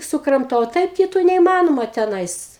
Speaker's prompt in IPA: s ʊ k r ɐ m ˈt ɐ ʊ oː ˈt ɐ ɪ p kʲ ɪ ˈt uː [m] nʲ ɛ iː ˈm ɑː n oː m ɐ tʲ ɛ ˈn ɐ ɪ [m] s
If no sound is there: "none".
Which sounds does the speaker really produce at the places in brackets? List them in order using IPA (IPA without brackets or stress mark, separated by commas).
none, none